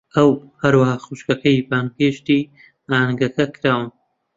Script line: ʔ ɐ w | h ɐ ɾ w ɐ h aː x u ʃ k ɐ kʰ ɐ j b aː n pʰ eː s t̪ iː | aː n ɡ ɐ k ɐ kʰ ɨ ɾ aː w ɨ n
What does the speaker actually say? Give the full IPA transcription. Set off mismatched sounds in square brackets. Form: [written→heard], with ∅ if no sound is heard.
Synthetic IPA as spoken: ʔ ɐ w | h ɐ ɾ w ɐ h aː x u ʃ k ɐ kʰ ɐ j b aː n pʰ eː [s→ʃ] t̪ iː | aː n ɡ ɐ k ɐ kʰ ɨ ɾ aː w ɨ n